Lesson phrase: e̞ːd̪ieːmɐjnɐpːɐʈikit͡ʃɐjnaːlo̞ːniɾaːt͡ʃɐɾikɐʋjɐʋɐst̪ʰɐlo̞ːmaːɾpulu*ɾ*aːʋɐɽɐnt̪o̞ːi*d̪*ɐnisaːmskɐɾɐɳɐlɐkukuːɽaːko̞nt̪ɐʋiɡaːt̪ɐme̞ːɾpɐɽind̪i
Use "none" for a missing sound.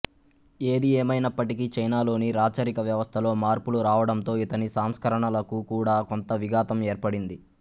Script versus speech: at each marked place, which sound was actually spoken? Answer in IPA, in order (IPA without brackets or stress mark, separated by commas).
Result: ɾ, t̪